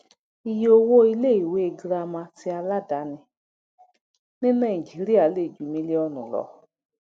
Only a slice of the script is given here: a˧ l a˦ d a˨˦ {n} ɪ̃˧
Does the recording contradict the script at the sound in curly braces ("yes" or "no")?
no